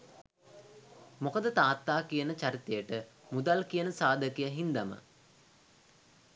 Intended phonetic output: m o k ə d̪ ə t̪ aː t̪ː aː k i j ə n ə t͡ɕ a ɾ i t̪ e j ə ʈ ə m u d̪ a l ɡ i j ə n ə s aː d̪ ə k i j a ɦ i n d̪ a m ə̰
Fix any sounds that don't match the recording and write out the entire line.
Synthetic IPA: m o k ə d̪ ə t̪ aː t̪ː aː k i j ə n ə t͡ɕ a ɾ i t̪ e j ə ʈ ə m u d̪ a l k i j ə n ə s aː d̪ ə k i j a ɦ i n d̪ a m ə̰